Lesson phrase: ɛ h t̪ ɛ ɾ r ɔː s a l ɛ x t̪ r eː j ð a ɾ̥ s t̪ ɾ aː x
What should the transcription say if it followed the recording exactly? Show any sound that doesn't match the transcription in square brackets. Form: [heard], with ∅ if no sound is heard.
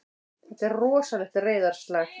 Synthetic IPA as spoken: ɛ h t̪ ɛ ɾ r ɔː s a l ɛ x t̪ r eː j ð a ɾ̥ s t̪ [l] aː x